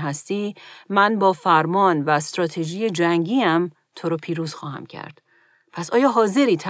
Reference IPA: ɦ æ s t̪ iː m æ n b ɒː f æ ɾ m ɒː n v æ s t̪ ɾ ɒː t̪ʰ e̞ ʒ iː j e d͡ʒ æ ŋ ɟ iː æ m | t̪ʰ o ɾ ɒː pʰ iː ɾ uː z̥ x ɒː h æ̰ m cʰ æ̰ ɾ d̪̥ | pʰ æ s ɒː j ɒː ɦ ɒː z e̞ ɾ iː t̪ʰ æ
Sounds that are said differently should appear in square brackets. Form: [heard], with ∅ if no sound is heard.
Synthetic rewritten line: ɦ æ s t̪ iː m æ n b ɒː f æ ɾ m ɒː n v æ s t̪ ɾ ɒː t̪ʰ e̞ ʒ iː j e d͡ʒ æ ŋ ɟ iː æ m | t̪ʰ o ɾ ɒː pʰ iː ɾ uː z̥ x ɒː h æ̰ m cʰ æ̰ ɾ d̪̥ | pʰ æ s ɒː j ɒː ɦ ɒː z e̞ ɾ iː t̪ʰ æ